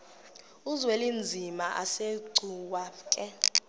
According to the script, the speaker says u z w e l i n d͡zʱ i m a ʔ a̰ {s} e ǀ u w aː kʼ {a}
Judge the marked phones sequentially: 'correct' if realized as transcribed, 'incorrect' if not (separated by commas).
correct, incorrect